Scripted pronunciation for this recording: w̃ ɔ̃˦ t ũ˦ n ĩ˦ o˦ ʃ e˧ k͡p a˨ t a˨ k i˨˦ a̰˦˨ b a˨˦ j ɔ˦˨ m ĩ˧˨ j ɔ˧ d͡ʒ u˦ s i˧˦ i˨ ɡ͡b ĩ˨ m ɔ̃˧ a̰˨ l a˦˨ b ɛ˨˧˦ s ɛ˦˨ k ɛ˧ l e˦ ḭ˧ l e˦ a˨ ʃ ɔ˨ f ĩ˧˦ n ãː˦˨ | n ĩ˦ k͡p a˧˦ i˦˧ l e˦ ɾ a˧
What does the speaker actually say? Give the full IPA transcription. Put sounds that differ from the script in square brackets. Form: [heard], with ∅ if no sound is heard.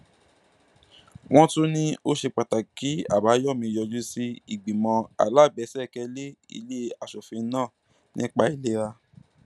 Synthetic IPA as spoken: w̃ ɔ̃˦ t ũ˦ n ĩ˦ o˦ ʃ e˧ k͡p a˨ t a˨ k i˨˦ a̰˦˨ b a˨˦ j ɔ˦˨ m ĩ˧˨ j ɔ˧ d͡ʒ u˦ s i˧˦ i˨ ɡ͡b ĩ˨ m ɔ̃˧ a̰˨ l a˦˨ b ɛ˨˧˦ s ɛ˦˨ k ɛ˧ l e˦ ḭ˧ l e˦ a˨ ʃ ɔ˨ f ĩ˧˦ n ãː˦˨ | n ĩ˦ k͡p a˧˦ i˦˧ l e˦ ɾ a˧